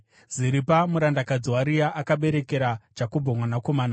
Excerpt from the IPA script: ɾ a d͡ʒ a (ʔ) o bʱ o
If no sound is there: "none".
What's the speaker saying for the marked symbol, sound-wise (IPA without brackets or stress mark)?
k